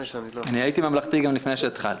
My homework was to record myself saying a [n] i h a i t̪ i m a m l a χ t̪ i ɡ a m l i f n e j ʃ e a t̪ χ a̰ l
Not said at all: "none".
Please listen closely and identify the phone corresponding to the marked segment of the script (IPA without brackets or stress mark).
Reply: n